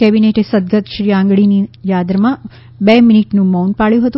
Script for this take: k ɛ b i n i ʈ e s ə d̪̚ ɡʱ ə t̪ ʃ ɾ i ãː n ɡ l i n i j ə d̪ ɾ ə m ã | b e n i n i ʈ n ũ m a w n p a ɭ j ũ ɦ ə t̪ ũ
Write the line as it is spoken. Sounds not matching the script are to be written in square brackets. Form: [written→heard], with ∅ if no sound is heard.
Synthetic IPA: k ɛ b i n [i→e] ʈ e s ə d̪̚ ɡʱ ə t̪ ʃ ɾ i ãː [n→ŋ] ɡ [l→ɭ] i n i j [ə→a] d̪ ɾ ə m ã | b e [n→m] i n i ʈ n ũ m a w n p a ɭ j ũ ɦ ə t̪ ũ